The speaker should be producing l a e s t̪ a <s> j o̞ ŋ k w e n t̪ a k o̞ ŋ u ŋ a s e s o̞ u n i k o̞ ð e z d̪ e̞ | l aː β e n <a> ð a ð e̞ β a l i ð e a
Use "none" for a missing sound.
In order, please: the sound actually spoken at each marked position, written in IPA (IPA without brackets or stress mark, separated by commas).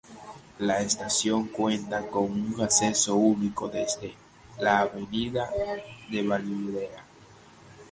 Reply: s, i